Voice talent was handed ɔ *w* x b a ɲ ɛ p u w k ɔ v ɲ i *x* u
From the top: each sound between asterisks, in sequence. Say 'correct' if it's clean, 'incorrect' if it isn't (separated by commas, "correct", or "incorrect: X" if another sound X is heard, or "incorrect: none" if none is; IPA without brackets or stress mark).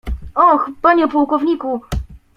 incorrect: none, incorrect: k